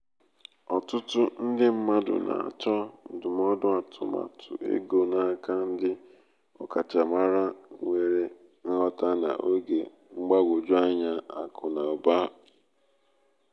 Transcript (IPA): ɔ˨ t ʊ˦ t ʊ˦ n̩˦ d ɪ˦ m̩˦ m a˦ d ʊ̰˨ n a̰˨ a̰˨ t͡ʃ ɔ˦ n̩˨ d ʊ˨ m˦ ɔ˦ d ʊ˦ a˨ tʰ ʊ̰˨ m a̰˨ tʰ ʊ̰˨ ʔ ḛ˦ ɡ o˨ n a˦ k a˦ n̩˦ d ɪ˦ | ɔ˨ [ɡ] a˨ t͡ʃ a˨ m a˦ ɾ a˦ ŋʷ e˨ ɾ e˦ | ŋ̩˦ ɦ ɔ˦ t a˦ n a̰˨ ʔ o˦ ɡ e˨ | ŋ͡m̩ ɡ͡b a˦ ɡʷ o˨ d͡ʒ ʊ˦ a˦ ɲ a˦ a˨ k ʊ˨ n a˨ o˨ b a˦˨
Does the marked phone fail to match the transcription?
yes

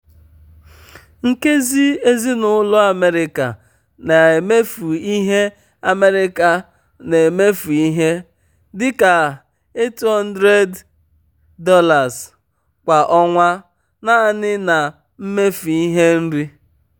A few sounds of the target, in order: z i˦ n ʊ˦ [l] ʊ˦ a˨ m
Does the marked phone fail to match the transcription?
no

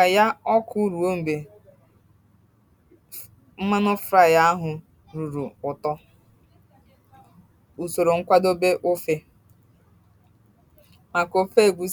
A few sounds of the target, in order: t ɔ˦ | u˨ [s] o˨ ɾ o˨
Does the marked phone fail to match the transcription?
no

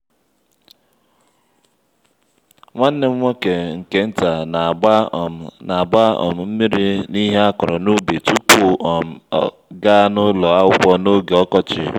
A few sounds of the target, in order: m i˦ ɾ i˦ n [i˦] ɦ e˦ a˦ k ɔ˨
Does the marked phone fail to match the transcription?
no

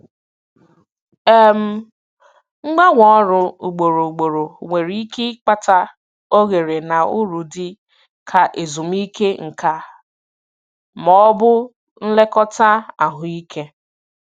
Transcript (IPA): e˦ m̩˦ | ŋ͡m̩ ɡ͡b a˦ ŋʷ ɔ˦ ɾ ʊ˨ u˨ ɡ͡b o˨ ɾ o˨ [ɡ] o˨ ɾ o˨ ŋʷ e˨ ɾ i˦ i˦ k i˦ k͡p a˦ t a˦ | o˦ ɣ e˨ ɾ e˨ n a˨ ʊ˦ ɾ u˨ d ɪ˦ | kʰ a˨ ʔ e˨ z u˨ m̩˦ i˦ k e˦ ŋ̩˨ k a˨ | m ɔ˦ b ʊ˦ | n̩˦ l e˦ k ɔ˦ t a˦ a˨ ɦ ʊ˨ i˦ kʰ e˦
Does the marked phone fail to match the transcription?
yes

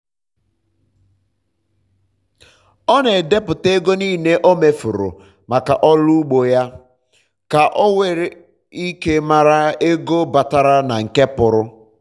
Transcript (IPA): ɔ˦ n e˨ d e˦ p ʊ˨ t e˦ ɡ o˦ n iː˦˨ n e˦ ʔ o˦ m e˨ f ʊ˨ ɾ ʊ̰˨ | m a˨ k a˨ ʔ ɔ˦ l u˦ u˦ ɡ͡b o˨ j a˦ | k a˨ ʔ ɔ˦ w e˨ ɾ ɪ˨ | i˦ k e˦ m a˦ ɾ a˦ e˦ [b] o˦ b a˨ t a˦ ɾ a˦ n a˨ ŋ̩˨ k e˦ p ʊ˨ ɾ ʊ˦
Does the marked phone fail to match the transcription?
yes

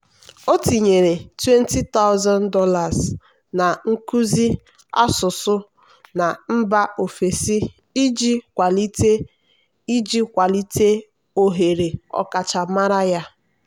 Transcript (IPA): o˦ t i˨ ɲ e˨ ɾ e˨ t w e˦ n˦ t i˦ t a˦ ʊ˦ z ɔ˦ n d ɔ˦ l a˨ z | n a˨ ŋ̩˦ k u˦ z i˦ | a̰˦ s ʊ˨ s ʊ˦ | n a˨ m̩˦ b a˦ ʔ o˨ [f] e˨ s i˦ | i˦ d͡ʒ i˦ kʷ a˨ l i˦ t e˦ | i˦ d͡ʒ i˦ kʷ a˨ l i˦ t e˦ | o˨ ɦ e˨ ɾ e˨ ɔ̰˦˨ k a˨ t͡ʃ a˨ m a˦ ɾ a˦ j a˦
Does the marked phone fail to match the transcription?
no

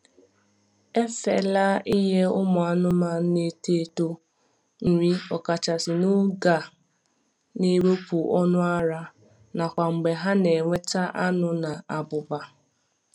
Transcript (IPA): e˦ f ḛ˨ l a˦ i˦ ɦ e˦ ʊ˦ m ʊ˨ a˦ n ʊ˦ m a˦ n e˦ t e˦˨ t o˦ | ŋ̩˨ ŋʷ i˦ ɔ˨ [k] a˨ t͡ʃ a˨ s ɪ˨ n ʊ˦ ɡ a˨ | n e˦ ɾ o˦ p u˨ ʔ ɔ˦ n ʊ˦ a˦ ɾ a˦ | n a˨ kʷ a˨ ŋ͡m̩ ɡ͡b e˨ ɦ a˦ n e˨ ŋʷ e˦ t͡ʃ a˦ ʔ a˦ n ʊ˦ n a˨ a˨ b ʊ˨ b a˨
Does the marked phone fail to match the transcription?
no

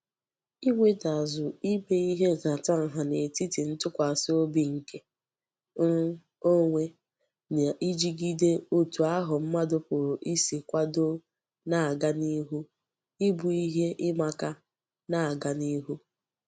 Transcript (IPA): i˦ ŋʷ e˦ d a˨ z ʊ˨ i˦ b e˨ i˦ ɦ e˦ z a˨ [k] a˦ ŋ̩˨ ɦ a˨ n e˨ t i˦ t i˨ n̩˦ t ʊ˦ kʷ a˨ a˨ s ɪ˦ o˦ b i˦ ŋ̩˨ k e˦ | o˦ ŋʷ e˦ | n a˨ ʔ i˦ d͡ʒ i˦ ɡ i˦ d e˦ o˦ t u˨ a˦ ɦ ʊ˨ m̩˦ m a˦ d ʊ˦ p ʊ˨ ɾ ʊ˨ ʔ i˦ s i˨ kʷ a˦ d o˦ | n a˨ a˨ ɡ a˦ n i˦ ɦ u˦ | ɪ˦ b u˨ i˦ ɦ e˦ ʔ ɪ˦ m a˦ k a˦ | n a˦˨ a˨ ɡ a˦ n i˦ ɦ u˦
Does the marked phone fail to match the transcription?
yes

